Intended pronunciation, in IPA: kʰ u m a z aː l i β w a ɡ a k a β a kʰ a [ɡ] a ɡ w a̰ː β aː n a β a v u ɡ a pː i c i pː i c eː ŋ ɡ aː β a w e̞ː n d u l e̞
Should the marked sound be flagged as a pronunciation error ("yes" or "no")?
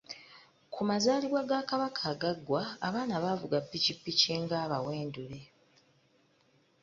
no